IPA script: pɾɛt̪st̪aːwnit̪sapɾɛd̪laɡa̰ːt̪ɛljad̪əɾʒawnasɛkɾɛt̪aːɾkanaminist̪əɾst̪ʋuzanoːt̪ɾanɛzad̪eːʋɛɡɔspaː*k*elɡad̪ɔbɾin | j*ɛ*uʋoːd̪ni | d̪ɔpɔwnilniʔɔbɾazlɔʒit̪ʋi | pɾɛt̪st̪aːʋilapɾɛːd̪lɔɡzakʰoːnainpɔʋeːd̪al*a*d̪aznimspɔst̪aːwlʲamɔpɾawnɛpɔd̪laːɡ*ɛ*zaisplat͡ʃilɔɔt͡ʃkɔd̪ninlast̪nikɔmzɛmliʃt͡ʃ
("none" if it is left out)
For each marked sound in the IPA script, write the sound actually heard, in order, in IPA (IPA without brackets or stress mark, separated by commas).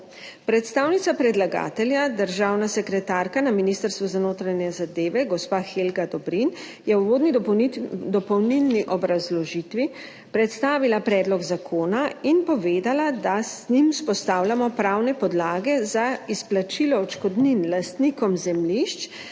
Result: x, ɛ, a, ɛ